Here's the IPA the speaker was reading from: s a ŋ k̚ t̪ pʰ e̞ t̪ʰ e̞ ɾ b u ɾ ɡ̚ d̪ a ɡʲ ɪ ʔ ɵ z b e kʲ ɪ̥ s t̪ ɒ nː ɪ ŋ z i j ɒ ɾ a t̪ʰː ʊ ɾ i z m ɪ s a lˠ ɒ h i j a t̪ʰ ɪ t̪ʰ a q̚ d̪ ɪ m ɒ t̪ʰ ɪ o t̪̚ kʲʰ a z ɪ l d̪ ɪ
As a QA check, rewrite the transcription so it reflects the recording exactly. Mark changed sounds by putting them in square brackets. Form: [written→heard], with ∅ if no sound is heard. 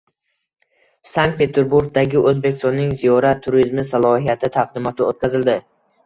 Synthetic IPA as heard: s a ŋ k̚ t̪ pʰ e̞ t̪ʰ e̞ ɾ b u ɾ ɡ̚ d̪ a ɡʲ ɪ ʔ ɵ z b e kʲ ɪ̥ s t̪ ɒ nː ɪ ŋ z i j ɒ ɾ a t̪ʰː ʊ ɾ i z m ɪ s a lˠ ɒ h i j a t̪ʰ ɪ t̪ʰ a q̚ d̪ ɪ m ɒ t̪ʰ ɪ o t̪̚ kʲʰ a z ɪ l d̪ ɪ

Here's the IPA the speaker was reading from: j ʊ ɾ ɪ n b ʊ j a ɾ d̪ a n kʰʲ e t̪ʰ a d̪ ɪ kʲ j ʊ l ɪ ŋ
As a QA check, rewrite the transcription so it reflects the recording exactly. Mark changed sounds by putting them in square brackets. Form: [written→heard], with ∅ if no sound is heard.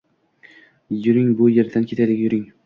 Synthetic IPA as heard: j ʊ ɾ ɪ [n→ŋ] b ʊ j [a→e] ɾ d̪ a n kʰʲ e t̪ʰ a d̪ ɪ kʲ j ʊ [l→ɾ] ɪ ŋ

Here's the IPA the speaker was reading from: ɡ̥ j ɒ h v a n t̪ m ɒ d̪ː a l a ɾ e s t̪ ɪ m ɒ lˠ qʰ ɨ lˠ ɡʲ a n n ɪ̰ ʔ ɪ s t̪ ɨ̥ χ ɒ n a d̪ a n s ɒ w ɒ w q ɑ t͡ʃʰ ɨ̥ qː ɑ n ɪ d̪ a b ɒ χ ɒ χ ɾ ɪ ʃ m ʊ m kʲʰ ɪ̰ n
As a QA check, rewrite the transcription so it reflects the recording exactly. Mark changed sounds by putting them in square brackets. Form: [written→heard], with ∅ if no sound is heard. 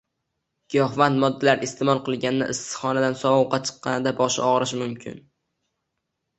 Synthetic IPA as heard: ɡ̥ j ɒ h v a n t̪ m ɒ d̪ː a l a ɾ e s t̪ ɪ m ɒ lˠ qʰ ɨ lˠ ɡʲ a n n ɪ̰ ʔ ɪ s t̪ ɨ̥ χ ɒ n a d̪ a n s ɒ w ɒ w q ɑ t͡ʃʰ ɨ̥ qː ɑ n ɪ d̪ a b ɒ [χ→ʃ] ɒ [χ→ʁ] ɾ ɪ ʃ m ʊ m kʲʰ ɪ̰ n

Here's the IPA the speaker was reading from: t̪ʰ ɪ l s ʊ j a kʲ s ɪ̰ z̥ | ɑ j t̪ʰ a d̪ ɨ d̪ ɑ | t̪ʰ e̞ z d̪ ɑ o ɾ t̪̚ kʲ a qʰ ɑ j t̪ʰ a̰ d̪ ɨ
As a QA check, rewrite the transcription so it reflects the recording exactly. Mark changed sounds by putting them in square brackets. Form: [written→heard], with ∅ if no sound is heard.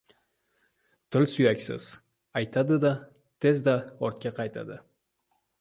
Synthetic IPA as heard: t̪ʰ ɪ l s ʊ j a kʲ s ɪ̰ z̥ | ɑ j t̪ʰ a d̪ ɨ d̪ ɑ | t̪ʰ e̞ z d̪ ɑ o ɾ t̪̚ kʲ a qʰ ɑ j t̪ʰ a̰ d̪ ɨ

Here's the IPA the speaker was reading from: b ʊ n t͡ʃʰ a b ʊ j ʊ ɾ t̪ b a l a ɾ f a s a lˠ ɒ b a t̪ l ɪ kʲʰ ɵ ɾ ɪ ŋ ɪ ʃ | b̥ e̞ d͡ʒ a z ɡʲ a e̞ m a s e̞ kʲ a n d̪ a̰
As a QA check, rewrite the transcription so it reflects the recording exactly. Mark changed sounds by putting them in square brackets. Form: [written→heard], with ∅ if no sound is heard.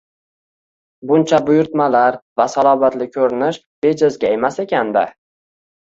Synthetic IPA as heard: b ʊ n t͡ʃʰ a b ʊ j ʊ ɾ t̪ [b→m] a l a ɾ [f→v] a s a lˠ ɒ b a t̪ l ɪ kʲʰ ɵ ɾ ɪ [ŋ→n] ɪ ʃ | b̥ e̞ d͡ʒ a z ɡʲ a e̞ m a s e̞ kʲ a n d̪ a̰

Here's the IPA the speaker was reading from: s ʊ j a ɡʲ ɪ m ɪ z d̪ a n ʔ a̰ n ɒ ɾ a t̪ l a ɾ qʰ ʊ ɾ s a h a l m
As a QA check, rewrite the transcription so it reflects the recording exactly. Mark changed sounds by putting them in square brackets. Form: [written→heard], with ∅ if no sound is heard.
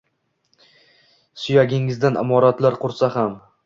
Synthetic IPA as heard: s ʊ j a ɡʲ ɪ [m→ŋ] ɪ z d̪ a n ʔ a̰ [n→m] ɒ ɾ a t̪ l a ɾ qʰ ʊ ɾ s a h a [l→∅] m

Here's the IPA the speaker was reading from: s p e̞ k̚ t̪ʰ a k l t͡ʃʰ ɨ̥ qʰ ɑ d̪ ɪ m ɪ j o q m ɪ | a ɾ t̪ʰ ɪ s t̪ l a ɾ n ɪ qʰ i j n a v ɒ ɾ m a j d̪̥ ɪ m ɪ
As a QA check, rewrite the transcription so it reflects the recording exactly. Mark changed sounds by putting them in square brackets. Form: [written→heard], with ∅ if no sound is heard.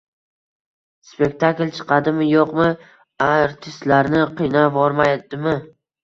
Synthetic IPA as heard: s p e̞ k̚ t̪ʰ a k l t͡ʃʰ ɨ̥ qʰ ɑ d̪ ɪ m ɪ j o q m ɪ | a ɾ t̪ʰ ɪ s t̪ l a ɾ n ɪ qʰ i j n a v ɒ ɾ m a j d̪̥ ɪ m ɪ

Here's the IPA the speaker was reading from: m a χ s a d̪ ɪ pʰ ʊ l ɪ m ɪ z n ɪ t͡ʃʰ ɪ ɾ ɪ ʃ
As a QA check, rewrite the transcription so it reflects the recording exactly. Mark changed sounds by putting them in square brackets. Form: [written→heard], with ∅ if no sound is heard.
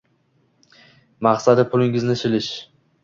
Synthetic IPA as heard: m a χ s a d̪ ɪ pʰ ʊ l ɪ [m→ŋ] ɪ z n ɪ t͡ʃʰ ɪ [ɾ→l] ɪ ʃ

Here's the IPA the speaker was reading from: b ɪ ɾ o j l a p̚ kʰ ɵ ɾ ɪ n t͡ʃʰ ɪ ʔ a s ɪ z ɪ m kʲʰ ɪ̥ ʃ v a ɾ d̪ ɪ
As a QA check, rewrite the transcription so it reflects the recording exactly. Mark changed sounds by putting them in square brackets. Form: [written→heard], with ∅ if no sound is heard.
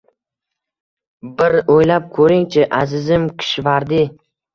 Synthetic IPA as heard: b ɪ ɾ o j l a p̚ kʰ ɵ ɾ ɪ [n→ŋ] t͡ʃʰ ɪ ʔ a [s→z] ɪ z ɪ m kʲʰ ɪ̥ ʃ v a ɾ d̪ ɪ

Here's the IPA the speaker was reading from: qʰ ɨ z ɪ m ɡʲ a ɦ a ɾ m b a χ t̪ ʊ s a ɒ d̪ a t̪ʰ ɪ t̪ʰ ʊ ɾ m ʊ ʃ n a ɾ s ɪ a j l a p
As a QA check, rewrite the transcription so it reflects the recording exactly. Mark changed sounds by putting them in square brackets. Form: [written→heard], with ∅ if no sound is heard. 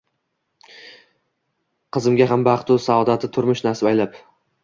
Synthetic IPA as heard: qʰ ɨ z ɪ m ɡʲ a ɦ a [ɾ→∅] m b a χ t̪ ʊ s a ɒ d̪ a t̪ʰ ɪ t̪ʰ ʊ ɾ m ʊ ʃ n a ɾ s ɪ a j l a p

